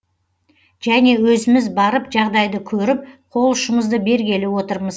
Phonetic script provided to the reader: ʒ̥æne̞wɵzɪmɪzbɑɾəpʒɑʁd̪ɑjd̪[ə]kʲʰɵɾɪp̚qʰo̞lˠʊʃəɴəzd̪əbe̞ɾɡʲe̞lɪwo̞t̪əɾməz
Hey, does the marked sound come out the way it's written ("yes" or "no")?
yes